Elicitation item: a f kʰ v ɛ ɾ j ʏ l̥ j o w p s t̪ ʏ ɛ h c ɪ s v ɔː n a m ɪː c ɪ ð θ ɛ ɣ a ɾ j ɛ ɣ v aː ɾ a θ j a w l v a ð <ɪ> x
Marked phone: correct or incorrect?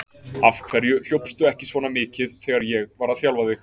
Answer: correct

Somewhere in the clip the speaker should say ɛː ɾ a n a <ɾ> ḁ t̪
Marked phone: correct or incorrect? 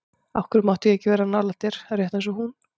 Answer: incorrect: l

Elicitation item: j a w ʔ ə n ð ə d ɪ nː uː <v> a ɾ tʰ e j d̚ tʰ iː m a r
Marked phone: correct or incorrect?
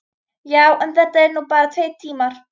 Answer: incorrect: b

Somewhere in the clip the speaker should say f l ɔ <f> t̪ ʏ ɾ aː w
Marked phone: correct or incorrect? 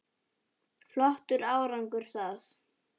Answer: incorrect: h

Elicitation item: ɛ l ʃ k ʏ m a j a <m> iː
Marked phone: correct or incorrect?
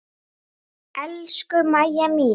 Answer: correct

